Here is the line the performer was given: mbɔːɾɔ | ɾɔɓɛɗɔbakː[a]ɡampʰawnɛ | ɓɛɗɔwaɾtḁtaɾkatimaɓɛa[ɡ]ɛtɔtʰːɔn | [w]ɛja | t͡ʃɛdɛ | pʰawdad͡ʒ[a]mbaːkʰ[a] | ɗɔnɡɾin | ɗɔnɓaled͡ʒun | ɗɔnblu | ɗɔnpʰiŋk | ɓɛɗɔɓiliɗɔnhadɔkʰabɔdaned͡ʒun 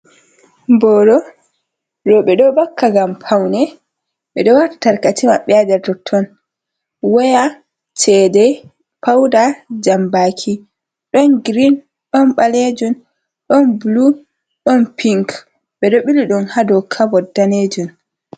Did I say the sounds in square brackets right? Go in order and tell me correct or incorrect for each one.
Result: correct, incorrect, correct, correct, incorrect

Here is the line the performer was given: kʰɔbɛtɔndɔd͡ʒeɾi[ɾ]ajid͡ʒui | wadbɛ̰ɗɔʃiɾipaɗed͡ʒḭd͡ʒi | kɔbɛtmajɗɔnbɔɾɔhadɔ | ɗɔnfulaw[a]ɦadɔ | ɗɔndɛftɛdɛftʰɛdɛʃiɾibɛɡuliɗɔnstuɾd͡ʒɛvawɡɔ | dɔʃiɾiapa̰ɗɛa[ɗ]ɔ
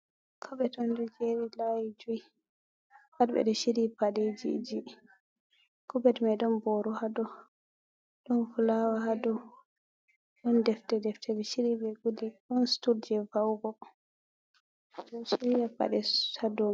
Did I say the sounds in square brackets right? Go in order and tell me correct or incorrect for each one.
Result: incorrect, correct, incorrect

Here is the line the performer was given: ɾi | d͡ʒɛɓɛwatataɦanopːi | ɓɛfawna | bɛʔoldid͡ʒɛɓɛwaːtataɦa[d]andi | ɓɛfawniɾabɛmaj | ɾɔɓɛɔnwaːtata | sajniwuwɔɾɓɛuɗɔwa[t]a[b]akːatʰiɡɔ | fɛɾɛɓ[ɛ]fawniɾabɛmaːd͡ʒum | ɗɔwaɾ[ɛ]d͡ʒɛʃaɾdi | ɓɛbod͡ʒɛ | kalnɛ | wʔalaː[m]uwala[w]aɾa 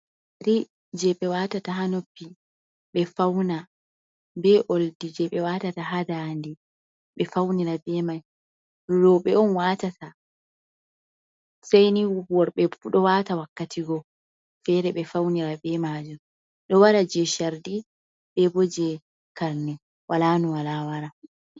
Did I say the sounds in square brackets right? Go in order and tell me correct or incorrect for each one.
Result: correct, correct, incorrect, correct, incorrect, incorrect, correct

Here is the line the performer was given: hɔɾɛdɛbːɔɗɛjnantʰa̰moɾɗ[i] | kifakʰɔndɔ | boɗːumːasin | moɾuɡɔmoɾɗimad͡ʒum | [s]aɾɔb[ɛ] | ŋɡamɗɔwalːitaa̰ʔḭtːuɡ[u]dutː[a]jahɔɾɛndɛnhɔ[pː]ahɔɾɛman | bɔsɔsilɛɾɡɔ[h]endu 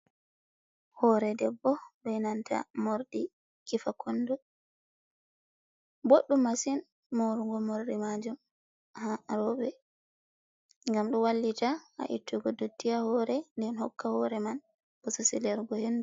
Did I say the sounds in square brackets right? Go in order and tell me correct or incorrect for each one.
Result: correct, incorrect, correct, incorrect, incorrect, incorrect, correct

